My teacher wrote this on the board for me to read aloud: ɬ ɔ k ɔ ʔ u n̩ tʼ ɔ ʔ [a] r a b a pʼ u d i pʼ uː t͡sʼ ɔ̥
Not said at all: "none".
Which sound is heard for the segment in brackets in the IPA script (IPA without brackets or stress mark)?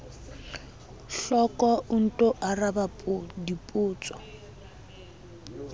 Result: a